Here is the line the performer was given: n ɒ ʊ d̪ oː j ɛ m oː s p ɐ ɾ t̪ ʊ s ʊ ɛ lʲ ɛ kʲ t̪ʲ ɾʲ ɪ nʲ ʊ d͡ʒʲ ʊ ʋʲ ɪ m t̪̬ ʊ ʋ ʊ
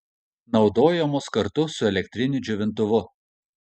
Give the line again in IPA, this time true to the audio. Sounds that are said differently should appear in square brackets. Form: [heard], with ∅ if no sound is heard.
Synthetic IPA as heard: n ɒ ʊ d̪ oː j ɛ m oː s [k] ɐ ɾ t̪ ʊ s ʊ ɛ lʲ ɛ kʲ t̪ʲ ɾʲ ɪ nʲ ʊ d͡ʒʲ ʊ ʋʲ ɪ [n] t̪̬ ʊ ʋ ʊ